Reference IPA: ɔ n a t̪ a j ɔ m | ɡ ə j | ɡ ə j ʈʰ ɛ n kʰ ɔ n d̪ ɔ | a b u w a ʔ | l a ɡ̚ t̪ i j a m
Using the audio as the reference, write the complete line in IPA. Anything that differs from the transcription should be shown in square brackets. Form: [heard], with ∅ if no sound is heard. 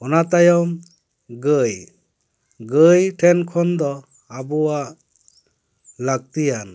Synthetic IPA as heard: ɔ n a t̪ a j ɔ m | ɡ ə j | ɡ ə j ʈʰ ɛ n kʰ ɔ n d̪ ɔ | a b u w a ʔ | l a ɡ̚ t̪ i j a [n]